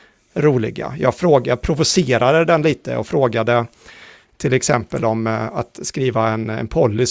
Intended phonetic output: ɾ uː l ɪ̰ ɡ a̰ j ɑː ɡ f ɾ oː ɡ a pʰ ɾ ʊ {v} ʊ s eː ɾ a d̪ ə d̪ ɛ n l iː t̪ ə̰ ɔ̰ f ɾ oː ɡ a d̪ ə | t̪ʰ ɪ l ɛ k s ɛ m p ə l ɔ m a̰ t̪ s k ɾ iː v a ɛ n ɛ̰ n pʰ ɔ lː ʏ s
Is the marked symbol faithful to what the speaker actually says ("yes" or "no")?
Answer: yes